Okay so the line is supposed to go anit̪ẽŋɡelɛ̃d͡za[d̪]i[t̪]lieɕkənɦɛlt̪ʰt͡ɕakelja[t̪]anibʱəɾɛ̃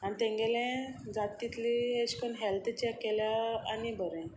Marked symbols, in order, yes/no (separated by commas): no, yes, no